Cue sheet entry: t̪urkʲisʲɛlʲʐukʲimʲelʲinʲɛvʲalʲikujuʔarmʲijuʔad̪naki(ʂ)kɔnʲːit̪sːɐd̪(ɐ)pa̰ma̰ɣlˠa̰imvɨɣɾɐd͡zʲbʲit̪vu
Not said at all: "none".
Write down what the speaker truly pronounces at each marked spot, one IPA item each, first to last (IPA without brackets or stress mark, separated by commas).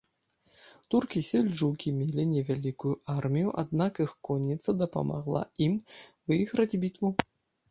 x, ɐ